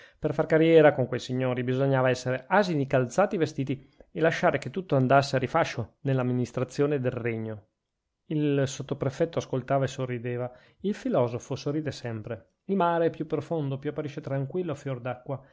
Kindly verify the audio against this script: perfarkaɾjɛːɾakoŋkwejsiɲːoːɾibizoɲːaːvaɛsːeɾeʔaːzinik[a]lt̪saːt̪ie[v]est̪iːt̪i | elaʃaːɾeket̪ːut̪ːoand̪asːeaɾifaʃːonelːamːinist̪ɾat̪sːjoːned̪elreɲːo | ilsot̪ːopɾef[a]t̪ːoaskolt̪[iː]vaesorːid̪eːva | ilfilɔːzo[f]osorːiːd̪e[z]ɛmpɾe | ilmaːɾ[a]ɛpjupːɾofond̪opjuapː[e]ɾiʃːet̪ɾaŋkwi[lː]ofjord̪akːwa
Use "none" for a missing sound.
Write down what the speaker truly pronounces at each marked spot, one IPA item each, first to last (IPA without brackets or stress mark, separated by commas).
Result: a, v, ɛ, aː, f, s, e, a, lː